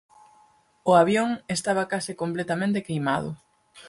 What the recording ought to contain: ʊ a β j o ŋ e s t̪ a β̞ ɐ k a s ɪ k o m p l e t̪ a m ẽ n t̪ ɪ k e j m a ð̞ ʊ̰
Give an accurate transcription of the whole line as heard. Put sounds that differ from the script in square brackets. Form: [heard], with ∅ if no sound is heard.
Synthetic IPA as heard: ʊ a β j o ŋ e s t̪ a β̞ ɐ k a s ɪ k o m p l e t̪ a m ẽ n t̪ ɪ k e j m a ð̞ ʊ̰